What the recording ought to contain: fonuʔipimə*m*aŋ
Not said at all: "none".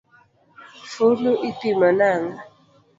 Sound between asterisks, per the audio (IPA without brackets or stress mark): n